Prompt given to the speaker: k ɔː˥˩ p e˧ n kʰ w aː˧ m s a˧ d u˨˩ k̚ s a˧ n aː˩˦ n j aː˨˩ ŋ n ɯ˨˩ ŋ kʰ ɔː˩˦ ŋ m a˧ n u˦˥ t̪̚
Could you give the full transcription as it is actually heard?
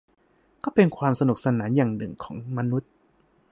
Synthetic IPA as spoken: k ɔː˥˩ p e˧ n kʰ w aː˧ m s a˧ n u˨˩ k̚ s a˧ n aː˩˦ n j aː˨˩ ŋ n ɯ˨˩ ŋ kʰ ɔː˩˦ ŋ m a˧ n u˦˥ t̪̚

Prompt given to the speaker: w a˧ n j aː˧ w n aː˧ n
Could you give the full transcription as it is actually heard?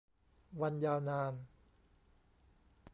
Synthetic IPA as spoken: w a˧ n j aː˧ w n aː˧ n

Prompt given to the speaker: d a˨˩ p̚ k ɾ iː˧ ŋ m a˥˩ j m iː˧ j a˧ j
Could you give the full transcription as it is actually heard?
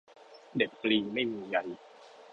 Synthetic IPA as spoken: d e˨˩ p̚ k l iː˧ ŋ m a˥˩ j m iː˧ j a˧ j

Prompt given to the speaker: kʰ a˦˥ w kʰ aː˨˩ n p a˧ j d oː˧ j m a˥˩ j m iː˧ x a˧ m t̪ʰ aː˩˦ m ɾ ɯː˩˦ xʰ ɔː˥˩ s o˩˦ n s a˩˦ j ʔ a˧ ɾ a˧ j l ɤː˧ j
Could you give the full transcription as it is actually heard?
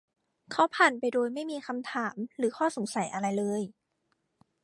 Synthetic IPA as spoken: kʰ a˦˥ w pʰ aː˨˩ n p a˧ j d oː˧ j m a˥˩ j m iː˧ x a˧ m t̪ʰ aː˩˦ m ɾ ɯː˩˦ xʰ ɔː˥˩ s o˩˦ ŋ s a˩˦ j ʔ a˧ ɾ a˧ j l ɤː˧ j

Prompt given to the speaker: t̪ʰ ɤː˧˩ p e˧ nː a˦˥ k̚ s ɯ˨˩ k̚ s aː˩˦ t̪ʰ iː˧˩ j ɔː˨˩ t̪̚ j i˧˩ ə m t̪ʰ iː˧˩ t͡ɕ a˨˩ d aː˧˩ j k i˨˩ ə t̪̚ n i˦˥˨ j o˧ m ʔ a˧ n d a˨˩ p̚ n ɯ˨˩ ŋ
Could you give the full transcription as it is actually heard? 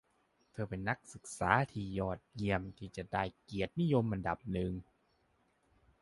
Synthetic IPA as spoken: t̪ʰ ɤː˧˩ p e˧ nː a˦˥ k̚ s ɯ˨˩ k̚ s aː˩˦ t̪ʰ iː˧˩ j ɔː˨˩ t̪̚ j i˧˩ ə m t̪ʰ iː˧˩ t͡ɕ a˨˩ d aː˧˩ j k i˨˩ ə t̪̚ n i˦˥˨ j o˧ m ʔ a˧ n d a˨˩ p̚ n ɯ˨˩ ŋ

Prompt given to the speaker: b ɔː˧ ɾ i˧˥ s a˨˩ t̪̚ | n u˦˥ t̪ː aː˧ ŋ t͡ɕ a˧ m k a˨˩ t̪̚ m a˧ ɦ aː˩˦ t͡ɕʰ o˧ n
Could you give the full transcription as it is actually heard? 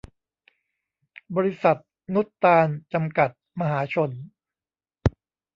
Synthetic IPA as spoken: b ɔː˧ ɾ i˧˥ s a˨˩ t̪̚ | n u˦˥ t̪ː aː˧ n t͡ɕ a˧ m k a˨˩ t̪̚ m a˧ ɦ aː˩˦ t͡ɕʰ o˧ n

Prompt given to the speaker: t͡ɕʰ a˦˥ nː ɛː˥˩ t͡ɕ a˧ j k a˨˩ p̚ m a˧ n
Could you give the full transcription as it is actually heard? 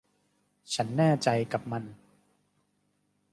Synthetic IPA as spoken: t͡ɕʰ a˦˥ nː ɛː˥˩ t͡ɕ a˧ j k a˨˩ p̚ m a˧ n

